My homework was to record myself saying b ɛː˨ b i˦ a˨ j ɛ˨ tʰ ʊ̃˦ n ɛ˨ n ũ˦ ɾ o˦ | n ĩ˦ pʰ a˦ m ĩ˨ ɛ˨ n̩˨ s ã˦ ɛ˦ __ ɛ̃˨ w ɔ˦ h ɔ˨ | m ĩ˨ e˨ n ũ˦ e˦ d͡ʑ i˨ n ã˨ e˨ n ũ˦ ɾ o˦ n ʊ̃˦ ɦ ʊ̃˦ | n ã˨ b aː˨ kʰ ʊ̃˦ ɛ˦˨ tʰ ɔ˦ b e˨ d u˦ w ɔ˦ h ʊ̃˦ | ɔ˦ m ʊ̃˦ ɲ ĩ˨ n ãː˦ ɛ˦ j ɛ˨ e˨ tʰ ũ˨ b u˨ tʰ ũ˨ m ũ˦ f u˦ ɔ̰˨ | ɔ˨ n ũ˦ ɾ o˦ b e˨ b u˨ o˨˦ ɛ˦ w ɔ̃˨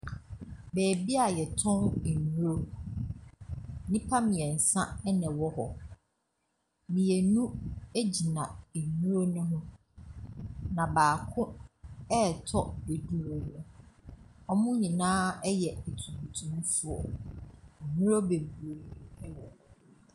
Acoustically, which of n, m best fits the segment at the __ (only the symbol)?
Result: n